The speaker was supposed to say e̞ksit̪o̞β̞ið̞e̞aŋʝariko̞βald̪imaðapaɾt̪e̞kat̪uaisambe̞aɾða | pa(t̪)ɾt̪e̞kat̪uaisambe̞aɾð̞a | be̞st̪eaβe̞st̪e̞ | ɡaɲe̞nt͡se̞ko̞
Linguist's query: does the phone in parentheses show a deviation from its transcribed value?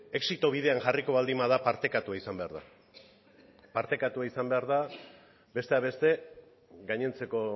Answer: yes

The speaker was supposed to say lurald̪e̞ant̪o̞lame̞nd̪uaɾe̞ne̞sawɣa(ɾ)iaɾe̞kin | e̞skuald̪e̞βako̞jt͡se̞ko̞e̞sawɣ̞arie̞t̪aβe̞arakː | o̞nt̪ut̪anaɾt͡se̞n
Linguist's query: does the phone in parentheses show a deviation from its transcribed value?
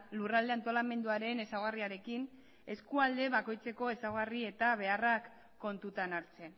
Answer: yes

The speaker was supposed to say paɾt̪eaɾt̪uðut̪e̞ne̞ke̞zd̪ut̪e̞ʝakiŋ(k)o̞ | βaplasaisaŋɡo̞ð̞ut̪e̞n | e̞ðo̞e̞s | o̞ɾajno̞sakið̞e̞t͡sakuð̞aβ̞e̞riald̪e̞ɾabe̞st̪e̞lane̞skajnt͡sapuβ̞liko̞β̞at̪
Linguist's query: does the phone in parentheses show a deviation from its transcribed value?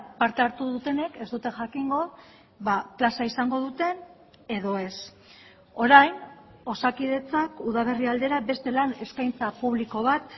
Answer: yes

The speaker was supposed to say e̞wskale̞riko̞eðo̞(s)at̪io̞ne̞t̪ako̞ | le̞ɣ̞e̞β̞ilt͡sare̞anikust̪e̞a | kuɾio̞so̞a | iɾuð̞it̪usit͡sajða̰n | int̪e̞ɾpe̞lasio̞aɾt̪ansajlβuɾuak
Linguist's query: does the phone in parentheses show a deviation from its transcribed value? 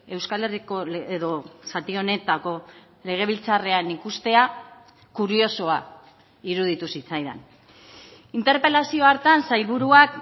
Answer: no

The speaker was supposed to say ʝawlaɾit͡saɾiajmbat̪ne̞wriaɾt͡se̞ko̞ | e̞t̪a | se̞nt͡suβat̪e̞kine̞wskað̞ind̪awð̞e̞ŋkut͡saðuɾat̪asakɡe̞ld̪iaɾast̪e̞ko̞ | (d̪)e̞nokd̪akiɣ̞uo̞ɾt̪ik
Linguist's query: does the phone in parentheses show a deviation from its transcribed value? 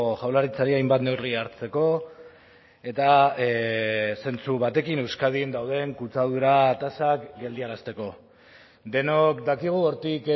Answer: no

